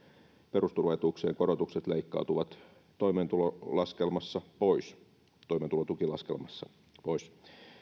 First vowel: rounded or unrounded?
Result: unrounded